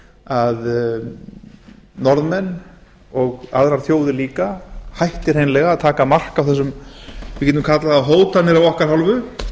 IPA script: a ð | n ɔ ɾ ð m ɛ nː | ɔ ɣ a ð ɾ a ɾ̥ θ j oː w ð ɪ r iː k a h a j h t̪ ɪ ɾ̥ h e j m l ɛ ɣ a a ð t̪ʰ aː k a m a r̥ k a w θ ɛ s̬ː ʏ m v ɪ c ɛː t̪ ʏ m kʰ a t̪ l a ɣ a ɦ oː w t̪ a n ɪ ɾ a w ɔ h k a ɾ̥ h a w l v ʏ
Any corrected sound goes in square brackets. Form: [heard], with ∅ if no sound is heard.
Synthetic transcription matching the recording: a ð | n ɔ ɾ ð m ɛ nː | ɔ ɣ a ð ɾ a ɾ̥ θ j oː w ð ɪ [l] iː k a h a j h t̪ ɪ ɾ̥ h e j [n] l ɛ ɣ a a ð t̪ʰ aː k a m a r̥ k a w θ ɛ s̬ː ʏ m v ɪ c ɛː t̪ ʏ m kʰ a t̪ l a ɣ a ɦ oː w t̪ a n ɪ ɾ a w ɔ h k a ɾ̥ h a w l v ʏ